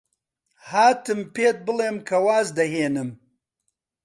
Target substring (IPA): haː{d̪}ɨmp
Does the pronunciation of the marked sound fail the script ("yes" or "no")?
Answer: yes